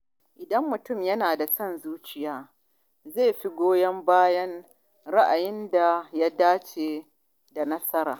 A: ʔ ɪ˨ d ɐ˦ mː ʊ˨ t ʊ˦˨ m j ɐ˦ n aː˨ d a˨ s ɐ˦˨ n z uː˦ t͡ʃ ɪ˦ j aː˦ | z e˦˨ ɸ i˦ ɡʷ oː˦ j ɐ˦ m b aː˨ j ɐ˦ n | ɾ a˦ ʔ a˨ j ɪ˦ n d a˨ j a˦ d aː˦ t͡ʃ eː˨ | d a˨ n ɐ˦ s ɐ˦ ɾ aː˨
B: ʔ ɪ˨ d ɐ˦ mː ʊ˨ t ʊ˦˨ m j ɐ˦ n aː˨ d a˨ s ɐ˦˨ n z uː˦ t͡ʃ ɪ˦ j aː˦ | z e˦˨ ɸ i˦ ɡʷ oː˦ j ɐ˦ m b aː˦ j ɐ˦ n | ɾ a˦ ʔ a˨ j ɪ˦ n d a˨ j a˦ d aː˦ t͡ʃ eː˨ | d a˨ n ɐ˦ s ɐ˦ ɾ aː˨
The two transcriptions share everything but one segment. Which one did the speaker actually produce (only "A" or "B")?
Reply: B